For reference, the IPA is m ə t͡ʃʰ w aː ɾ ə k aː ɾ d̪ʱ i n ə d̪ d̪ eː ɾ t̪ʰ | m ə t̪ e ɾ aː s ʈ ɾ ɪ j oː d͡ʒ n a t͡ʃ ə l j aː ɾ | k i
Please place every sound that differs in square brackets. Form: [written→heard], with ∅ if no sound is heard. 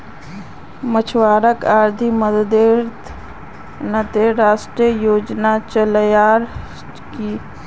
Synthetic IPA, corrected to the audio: m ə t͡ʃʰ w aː ɾ ə k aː ɾ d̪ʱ i [n→m] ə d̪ d̪ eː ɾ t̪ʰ | [m→n] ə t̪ e ɾ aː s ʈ ɾ [ɪ→i] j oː d͡ʒ n a t͡ʃ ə l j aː ɾ | k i